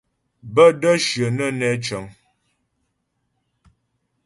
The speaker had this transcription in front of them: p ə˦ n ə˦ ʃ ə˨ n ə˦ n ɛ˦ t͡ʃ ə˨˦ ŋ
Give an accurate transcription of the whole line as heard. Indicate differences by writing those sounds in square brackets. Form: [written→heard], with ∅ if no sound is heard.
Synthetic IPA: [p→b] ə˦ [n→d] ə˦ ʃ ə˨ n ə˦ n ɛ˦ t͡ʃ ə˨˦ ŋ